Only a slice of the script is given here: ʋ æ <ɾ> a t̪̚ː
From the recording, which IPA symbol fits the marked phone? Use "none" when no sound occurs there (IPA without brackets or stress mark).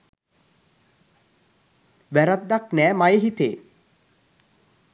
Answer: ɾ